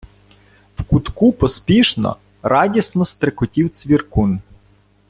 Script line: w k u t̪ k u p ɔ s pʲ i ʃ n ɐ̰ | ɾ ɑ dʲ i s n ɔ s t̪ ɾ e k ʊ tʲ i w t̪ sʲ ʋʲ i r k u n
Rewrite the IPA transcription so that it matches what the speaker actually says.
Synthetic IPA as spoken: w k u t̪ k u p ɔ s pʲ i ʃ n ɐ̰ | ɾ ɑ dʲ i s n ɔ s t̪ ɾ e k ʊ tʲ i w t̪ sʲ ʋʲ i r k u n